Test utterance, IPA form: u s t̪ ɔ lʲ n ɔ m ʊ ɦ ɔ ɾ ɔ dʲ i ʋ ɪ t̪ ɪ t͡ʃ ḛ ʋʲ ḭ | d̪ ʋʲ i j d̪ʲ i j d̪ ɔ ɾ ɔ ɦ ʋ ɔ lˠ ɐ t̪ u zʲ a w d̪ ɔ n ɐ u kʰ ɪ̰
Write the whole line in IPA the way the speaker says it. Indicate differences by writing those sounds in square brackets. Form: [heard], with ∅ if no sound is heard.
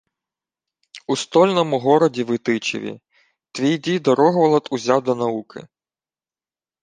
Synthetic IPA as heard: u s t̪ ɔ lʲ n ɔ m ʊ ɦ ɔ ɾ ɔ dʲ i ʋ ɪ t̪ ɪ t͡ʃ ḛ ʋʲ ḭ | [t̪] ʋʲ i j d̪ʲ i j d̪ ɔ ɾ ɔ ɦ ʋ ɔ lˠ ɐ t̪ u zʲ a w d̪ ɔ n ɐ u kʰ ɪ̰